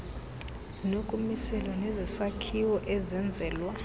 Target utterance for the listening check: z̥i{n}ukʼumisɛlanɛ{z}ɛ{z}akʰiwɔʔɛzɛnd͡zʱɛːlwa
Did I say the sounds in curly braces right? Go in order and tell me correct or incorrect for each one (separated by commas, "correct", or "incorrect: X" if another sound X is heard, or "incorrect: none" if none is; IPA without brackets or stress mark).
correct, correct, incorrect: s